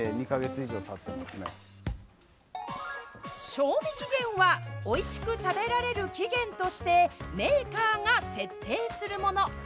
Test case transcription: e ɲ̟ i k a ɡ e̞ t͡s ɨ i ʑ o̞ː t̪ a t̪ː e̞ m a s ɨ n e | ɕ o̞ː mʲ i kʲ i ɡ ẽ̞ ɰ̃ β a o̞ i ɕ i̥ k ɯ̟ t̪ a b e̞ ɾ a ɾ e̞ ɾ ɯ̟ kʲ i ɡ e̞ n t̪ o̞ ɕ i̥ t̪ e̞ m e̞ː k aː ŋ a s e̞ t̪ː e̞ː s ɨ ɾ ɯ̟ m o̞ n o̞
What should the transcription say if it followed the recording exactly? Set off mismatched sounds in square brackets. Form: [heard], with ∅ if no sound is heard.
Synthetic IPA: e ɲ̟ i k a ɡ e̞ t͡s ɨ i ʑ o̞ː t̪ a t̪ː e̞ m a s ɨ n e | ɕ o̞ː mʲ i kʲ i ɡ ẽ̞ ɰ̃ β a o̞ i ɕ i̥ k ɯ̟ t̪ a b e̞ ɾ a ɾ e̞ ɾ ɯ̟ kʲ i ɡ [ẽ̞] n t̪ o̞ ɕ i̥ t̪ e̞ m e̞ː k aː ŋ a s e̞ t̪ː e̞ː s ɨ ɾ ɯ̟ m o̞ n o̞